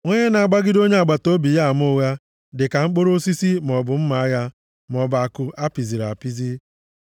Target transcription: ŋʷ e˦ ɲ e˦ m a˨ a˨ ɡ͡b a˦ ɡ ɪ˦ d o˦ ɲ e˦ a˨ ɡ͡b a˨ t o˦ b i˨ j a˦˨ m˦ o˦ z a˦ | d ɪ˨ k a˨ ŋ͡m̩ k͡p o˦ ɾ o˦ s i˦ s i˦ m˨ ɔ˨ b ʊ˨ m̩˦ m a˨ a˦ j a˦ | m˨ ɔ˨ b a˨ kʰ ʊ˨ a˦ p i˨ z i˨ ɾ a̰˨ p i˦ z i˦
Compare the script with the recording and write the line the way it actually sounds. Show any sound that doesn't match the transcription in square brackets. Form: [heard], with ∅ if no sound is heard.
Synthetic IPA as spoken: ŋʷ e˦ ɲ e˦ [n] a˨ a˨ ɡ͡b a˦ ɡ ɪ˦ d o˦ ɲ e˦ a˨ ɡ͡b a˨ t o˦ b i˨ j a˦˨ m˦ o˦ [ɣ] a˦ | d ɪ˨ k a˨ ŋ͡m̩ k͡p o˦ ɾ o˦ s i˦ s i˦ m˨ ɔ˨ b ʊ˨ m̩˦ m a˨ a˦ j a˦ | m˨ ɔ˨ b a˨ [k] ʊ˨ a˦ p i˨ z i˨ ɾ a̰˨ p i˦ z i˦